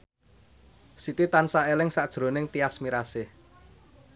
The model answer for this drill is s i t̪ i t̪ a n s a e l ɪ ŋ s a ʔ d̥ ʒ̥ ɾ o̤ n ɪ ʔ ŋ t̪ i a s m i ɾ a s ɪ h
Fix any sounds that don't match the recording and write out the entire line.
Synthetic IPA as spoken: s i t̪ i t̪ a n s a e l ɪ ŋ s a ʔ d̥ ʒ̥ ɾ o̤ n ɪ ŋ t̪ i a s m i ɾ a s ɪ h